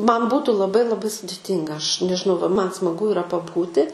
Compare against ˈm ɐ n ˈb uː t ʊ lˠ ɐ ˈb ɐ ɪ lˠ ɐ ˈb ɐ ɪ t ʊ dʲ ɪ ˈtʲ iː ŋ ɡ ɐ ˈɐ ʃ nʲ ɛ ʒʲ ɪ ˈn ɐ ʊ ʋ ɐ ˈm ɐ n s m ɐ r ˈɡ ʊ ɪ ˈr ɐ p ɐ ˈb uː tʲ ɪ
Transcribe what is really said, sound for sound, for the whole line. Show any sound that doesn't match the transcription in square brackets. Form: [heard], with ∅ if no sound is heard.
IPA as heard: ˈm ɐ n ˈb uː t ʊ lˠ ɐ ˈb ɐ ɪ lˠ ɐ ˈb ɐ ɪ [s] ʊ dʲ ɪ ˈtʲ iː ŋ ɡ ɐ ˈɐ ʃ nʲ ɛ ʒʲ ɪ ˈn ɐ ʊ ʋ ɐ ˈm ɐ n s m ɐ [∅] ˈɡ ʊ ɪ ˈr ɐ p ɐ ˈb uː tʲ ɪ